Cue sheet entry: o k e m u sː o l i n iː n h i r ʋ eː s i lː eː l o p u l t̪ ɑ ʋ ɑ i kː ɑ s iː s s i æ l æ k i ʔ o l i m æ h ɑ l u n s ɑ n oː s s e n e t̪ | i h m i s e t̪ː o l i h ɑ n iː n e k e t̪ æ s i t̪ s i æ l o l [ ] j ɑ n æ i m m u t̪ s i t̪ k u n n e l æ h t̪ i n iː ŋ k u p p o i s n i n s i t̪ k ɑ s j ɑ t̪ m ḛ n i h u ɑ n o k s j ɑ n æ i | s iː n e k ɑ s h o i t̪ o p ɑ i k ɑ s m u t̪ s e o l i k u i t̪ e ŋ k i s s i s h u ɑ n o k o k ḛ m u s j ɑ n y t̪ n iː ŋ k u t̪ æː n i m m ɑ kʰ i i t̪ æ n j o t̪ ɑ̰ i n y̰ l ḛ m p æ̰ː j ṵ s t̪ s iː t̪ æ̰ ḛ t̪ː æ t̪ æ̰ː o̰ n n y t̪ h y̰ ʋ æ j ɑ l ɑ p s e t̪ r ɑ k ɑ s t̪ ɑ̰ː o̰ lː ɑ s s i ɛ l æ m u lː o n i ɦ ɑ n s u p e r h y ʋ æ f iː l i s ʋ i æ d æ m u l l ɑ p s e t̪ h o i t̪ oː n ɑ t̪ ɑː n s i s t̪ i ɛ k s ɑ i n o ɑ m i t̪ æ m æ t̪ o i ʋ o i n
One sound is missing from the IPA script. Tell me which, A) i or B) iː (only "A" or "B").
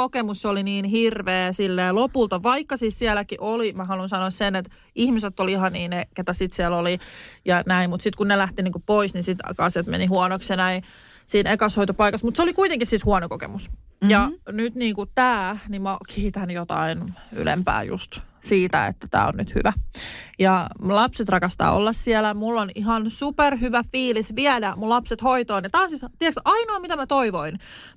A